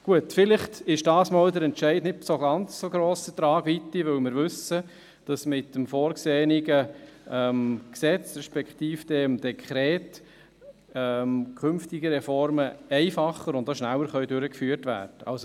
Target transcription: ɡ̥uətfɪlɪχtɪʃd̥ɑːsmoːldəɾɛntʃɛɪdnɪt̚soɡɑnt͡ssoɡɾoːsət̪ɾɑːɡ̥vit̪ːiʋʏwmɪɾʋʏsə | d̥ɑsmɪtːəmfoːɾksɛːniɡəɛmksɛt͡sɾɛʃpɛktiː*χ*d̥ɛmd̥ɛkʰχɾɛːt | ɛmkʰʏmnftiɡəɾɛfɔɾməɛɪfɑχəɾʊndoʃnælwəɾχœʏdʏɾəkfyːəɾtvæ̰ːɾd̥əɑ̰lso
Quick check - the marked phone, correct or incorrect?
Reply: incorrect